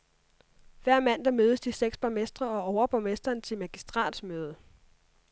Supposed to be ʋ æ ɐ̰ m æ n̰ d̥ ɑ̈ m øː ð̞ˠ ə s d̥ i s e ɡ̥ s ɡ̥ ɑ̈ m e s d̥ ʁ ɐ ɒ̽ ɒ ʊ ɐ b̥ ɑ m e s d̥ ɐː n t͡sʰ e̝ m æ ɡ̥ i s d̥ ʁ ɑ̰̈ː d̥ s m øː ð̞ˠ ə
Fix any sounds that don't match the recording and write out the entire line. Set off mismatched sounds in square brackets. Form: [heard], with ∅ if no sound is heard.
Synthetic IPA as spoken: ʋ æ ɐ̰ m æ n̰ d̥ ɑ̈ m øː ð̞ˠ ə s d̥ i s e ɡ̥ s [b̥] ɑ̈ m e s d̥ ʁ ɐ ɒ̽ ɒ ʊ ɐ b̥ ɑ m e s d̥ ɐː n t͡sʰ e̝ m æ ɡ̥ i s d̥ ʁ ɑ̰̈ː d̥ s m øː ð̞ˠ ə